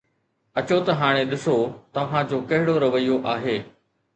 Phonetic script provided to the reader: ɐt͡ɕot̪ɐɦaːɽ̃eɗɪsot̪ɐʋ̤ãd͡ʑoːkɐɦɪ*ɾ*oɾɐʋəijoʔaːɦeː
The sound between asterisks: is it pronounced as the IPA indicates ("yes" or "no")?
no